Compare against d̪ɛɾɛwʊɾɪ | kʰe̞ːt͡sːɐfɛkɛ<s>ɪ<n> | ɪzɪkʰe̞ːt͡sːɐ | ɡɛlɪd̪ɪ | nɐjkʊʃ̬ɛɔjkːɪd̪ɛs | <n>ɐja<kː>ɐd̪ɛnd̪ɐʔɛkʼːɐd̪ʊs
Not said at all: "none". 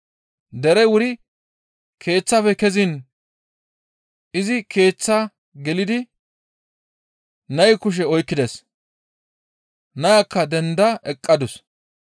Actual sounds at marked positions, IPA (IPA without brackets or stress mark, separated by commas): z, n, n, kː